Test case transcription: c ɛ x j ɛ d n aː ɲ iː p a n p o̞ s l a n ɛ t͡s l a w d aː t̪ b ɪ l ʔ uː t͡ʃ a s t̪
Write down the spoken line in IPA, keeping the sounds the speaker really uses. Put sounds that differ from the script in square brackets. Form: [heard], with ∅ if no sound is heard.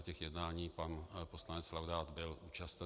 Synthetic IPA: c ɛ x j ɛ d n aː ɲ iː p a n p o̞ s l a n ɛ t͡s l a w d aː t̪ b ɪ l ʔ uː t͡ʃ a s t̪